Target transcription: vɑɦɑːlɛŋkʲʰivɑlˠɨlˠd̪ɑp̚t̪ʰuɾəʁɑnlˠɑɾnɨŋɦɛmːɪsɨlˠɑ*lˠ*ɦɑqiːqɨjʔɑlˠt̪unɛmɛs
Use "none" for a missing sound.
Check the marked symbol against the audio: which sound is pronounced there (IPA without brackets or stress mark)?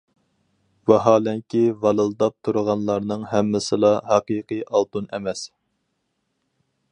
none